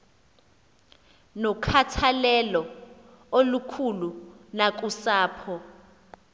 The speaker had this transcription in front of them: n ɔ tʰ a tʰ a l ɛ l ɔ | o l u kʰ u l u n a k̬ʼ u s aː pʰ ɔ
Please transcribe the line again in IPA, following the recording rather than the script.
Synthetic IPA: n ɔ kʰ a tʰ a l ɛ l ɔ | o l u kʰ u l u n a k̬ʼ u s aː pʰ ɔ